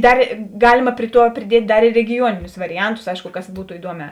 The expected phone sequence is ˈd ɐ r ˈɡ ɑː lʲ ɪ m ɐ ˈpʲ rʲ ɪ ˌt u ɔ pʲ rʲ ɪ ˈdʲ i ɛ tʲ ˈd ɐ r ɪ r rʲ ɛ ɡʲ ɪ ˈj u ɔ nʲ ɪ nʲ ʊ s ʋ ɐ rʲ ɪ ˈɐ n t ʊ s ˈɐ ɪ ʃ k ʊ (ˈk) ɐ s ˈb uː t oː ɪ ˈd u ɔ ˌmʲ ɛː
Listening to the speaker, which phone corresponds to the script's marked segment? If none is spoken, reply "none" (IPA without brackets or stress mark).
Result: k